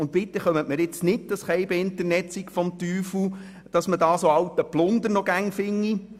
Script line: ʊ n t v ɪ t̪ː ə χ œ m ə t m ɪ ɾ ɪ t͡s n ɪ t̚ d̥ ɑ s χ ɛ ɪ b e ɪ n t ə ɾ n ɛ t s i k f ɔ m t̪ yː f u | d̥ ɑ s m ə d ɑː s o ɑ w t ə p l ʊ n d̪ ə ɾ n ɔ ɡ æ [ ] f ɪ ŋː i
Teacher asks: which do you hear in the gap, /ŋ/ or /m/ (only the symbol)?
ŋ